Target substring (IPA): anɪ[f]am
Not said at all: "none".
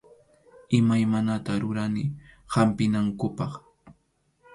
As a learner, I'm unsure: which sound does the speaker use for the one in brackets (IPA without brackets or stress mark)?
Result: h